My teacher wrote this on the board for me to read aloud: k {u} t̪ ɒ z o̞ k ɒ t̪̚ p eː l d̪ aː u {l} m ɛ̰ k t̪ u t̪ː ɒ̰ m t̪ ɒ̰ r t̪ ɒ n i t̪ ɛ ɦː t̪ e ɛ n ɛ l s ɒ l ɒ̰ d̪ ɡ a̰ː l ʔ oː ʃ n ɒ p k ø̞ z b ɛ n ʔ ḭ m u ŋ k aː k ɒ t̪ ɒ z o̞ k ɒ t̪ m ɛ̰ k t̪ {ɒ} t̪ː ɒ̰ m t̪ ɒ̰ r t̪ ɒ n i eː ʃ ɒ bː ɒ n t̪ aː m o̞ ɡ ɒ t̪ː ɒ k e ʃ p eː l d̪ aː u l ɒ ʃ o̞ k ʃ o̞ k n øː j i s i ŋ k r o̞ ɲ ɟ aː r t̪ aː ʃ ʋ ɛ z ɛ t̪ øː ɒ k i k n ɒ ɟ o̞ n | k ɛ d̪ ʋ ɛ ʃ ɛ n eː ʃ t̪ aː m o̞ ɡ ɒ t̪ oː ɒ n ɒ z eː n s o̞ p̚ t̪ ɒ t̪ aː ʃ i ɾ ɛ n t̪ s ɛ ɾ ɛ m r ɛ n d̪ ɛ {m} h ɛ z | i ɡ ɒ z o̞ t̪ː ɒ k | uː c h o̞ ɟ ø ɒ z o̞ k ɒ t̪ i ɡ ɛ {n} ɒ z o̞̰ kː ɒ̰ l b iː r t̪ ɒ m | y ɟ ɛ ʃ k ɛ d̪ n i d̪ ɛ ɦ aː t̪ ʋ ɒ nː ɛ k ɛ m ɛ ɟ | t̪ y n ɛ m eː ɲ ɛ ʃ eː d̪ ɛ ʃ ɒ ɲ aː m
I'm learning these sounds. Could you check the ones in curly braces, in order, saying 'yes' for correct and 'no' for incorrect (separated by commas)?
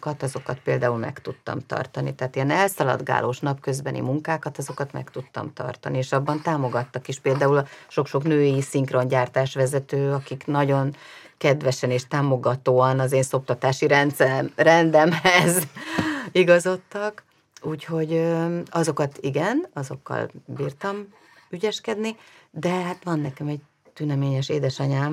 no, yes, no, yes, yes